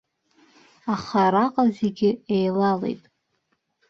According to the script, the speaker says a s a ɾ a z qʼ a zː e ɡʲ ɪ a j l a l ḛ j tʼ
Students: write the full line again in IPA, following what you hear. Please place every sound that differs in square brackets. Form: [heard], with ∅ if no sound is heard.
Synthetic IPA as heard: a [χ] a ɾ a [∅] qʼ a [z] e ɡʲ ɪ [e] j l a l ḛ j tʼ